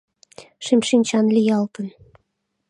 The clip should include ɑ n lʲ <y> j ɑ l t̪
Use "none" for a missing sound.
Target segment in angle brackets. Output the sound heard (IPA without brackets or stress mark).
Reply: i